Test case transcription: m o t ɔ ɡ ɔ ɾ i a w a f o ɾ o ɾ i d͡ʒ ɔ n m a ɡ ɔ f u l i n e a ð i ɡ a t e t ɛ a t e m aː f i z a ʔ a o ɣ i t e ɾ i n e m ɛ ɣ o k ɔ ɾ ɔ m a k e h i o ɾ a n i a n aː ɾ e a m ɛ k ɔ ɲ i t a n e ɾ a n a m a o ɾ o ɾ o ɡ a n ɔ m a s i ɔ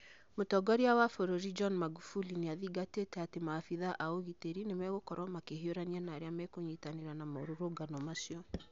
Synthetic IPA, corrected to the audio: m o t ɔ ɡ ɔ ɾ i a w a f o ɾ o ɾ i d͡ʒ ɔ n m a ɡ u f u l i n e a ð i ɡ a t e t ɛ a t e m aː f i ð a ʔ a o ɣ i t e ɾ i n e m ɛ ɣ o k ɔ ɾ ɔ m a k e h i o ɾ a n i a n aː ɾ e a m ɛ k o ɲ i t a n e ɾ a n a m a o ɾ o ɾ o ɡ a n ɔ m a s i ɔ